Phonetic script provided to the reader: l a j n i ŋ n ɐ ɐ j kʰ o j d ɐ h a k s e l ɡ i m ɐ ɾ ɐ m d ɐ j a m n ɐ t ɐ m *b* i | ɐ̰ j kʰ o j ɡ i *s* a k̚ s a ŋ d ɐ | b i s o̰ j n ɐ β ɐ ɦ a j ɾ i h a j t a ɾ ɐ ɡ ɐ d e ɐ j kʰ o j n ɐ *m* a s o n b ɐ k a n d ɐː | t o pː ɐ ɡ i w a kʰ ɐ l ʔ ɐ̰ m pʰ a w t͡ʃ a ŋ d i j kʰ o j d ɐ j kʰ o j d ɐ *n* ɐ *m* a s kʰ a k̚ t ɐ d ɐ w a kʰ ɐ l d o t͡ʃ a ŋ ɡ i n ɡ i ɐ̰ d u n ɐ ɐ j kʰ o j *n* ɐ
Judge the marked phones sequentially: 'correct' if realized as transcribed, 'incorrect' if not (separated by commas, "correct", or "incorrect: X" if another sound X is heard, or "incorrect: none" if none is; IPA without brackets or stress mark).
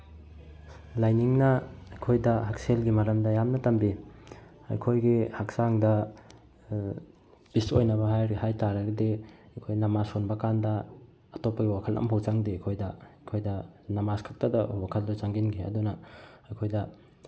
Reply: correct, incorrect: h, correct, correct, correct, incorrect: d